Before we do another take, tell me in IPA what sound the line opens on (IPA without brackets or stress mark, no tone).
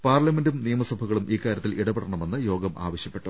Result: p